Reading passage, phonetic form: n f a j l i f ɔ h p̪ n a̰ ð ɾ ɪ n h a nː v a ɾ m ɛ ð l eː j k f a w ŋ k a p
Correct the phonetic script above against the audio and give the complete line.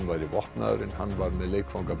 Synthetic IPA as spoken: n v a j ɾ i v ɔ h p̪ n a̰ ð ɾ ɪ n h a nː v a ɾ m ɛ ð l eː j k f a w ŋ k a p